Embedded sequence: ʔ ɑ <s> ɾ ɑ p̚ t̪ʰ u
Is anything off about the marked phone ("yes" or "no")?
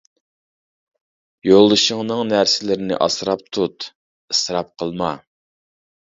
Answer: no